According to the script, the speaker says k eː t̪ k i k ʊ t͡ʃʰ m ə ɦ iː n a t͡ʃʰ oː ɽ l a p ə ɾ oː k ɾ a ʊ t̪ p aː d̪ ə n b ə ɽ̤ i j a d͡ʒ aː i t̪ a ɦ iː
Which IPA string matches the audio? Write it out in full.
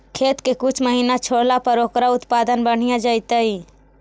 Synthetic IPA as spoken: kʰ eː t̪ k e k ʊ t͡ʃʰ m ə ɦ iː n a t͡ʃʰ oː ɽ l a p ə ɾ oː k ɾ a ʊ t̪ p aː d̪ ə n b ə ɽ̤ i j a d͡ʒ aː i t̪ a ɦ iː